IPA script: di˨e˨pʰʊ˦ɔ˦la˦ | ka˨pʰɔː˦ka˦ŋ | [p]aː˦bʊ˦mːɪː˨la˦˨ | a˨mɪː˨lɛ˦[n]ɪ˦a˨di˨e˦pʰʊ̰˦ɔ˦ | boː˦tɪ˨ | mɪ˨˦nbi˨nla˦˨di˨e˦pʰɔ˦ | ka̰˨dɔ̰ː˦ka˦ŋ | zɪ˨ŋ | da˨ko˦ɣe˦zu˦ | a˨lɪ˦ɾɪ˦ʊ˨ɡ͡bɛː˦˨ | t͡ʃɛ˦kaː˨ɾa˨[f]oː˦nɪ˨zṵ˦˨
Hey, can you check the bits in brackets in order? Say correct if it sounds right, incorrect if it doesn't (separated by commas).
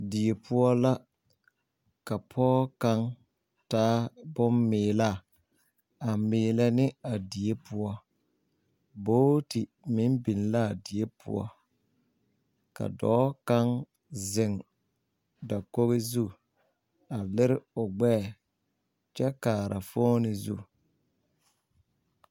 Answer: incorrect, correct, correct